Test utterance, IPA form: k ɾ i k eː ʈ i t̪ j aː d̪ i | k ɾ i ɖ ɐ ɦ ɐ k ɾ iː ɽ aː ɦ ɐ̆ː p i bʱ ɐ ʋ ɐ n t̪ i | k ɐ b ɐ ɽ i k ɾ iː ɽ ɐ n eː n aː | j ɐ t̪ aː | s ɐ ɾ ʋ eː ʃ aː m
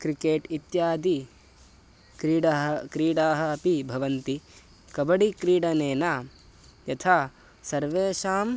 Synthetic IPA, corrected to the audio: k ɾ i k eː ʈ i t̪ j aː d̪ i | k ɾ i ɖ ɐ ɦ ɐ k ɾ iː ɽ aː ɦ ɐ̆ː p i bʱ ɐ ʋ ɐ n t̪ i | k ɐ b ɐ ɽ i k ɾ iː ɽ ɐ n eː n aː | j ɐ t̪ʰ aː | s ɐ ɾ ʋ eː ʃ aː m